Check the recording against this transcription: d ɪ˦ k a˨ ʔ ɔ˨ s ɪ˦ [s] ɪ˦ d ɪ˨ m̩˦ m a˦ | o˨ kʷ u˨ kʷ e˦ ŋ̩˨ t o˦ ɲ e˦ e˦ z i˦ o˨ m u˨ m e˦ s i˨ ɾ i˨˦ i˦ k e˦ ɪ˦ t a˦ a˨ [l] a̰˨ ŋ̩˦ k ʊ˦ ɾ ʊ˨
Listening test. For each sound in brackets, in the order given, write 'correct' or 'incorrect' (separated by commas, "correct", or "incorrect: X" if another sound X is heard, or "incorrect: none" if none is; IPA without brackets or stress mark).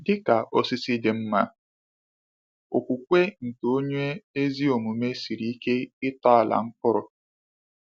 correct, correct